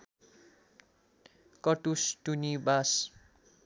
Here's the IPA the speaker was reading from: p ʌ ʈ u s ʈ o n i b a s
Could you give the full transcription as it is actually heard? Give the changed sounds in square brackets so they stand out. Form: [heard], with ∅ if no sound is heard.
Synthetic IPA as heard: [k] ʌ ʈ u s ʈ [u] n i b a s